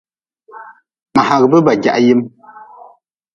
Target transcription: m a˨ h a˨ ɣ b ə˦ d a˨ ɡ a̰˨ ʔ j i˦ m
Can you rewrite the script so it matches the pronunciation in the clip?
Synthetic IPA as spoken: m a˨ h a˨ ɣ b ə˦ b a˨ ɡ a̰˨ ʔ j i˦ m